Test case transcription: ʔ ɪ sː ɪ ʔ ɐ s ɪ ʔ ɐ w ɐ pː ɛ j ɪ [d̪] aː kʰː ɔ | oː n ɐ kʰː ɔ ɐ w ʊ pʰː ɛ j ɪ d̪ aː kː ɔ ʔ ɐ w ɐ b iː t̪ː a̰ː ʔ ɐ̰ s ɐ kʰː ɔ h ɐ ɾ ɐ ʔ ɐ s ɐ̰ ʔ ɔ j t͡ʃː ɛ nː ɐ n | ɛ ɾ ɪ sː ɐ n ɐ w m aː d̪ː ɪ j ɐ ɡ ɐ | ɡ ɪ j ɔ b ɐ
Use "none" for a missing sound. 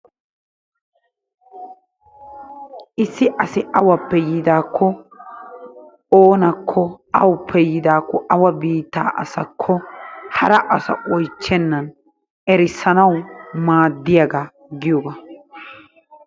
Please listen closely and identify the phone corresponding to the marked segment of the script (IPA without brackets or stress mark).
d̪